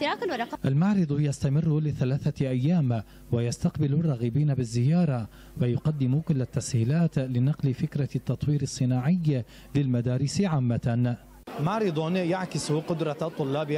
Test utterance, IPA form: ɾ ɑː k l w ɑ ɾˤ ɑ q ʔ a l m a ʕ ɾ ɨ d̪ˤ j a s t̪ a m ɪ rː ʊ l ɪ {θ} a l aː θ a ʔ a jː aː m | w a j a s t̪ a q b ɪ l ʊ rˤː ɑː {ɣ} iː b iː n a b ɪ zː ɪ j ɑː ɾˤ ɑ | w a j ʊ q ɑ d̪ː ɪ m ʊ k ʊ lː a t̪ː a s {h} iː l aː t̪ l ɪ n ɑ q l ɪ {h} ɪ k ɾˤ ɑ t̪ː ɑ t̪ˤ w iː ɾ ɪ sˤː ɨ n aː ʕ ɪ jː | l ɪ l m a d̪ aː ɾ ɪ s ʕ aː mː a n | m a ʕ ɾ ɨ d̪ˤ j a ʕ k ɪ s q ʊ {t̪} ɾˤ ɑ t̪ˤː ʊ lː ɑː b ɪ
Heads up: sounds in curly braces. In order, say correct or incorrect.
correct, correct, correct, incorrect: f, incorrect: d̪

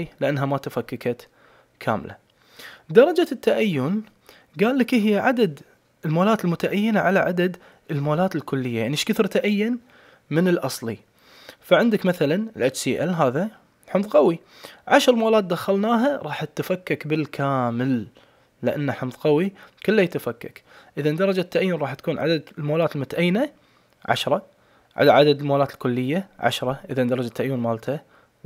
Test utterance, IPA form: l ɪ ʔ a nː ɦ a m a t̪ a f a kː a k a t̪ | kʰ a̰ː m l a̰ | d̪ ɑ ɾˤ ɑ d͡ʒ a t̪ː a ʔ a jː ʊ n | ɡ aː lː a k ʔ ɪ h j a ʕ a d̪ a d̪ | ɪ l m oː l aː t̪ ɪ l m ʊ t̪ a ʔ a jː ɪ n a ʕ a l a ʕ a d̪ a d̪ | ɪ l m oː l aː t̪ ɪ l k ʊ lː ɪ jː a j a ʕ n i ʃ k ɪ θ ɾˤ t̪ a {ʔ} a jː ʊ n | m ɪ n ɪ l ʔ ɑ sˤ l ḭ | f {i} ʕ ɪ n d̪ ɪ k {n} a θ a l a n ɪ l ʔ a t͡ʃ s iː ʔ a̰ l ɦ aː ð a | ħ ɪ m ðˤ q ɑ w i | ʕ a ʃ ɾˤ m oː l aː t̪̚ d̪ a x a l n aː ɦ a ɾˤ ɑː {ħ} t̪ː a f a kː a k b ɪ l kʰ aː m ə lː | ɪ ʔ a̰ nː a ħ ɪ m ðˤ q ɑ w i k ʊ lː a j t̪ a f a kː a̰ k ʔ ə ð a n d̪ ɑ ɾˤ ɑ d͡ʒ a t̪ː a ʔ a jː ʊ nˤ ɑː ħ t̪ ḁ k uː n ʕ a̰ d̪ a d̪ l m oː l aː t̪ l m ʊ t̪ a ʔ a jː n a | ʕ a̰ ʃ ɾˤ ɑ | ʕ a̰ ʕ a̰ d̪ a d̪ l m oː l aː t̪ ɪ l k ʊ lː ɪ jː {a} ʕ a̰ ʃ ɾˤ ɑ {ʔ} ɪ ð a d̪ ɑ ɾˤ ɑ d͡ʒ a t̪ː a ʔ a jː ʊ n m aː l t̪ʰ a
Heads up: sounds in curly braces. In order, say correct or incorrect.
correct, incorrect: a, incorrect: m, correct, correct, correct

